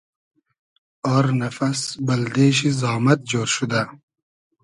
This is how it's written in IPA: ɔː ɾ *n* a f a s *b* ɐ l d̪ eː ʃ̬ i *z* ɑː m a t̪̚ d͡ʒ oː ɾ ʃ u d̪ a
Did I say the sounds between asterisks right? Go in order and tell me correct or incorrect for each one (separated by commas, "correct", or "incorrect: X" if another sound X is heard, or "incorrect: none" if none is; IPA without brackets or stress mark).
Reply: correct, correct, correct